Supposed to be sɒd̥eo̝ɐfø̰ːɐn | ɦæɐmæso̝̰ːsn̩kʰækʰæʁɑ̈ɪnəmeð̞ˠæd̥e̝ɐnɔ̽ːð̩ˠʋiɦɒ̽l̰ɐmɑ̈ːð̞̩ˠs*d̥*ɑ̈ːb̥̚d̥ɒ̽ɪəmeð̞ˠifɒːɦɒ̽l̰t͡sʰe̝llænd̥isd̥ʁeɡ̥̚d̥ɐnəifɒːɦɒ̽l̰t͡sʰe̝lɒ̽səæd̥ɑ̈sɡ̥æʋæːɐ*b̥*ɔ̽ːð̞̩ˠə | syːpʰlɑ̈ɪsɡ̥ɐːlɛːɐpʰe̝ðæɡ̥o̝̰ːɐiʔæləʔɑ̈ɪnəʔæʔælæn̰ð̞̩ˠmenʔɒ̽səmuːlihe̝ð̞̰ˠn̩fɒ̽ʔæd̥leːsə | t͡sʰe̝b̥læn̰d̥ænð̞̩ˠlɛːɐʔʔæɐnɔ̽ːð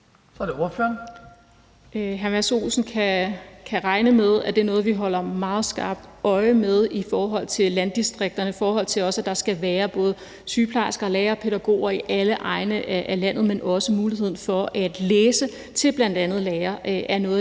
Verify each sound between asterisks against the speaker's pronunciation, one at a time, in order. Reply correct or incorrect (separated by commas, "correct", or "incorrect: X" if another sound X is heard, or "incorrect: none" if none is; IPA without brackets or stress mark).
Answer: incorrect: ɡ̥, correct